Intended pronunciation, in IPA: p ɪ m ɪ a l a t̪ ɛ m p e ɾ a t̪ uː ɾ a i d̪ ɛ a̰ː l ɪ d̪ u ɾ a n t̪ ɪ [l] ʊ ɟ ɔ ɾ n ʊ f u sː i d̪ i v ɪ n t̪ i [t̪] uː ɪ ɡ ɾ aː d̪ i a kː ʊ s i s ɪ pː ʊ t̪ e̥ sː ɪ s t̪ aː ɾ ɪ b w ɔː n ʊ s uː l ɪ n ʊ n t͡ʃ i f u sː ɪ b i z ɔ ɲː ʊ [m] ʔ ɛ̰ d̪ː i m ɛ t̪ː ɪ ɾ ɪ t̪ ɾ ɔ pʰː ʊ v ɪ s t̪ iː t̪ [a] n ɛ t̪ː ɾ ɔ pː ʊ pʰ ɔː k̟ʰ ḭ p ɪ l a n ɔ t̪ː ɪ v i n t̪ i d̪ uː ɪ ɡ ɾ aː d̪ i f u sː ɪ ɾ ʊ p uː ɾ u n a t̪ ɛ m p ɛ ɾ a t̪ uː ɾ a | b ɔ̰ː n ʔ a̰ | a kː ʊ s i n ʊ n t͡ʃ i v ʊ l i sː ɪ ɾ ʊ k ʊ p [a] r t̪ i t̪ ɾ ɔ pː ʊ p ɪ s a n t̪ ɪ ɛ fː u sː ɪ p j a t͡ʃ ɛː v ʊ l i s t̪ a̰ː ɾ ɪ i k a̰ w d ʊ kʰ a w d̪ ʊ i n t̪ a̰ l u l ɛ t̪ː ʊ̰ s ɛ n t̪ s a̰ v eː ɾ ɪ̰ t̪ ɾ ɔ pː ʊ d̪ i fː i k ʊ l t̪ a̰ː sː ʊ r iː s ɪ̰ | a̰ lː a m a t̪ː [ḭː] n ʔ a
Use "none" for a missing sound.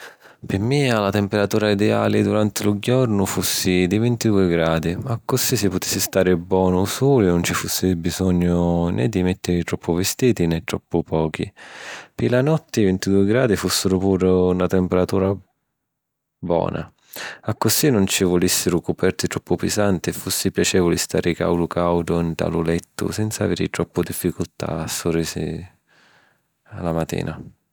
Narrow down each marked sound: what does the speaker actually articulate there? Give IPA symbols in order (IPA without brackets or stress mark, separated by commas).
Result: l, d̪, n, i, ɛ, ḭː